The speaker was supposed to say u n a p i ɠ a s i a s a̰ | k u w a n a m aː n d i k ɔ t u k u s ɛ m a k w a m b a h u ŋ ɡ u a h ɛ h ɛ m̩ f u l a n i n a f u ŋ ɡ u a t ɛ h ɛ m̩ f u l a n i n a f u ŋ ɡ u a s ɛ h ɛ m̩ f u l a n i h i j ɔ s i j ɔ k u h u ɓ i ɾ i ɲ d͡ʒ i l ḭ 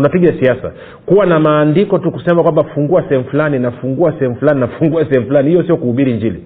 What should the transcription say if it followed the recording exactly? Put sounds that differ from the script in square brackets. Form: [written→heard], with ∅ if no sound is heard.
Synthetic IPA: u n a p i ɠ a s i a s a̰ | k u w a n a m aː n d i k ɔ t u k u s ɛ m a k w a m b a [h→f] u ŋ ɡ u a [h→s] ɛ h ɛ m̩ f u l a n i n a f u ŋ ɡ u a [t→s] ɛ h ɛ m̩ f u l a n i n a f u ŋ ɡ u a s ɛ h ɛ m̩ f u l a n i h i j ɔ s i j ɔ k u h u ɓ i ɾ i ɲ d͡ʒ i l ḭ